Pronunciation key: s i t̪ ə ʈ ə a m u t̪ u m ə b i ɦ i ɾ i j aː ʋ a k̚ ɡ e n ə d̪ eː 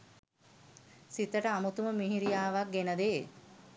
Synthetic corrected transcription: s i t̪ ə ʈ ə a m u t̪ u m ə m i ɦ i ɾ i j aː ʋ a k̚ ɡ e n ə d̪ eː